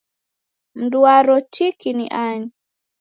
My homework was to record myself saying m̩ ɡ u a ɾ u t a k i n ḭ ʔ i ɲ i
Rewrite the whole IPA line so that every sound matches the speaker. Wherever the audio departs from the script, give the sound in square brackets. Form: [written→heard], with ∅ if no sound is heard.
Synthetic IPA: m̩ [ɡ→d] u a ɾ [u→ɔ] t [a→i] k i n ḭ ʔ [i→a] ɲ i